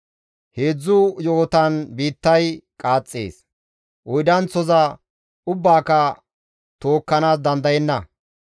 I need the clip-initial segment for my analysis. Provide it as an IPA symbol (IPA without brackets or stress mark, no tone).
h